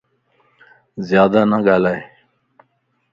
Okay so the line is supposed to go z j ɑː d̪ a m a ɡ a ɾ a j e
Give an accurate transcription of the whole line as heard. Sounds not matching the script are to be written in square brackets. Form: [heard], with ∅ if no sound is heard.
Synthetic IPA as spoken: z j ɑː d̪ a [n] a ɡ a [l] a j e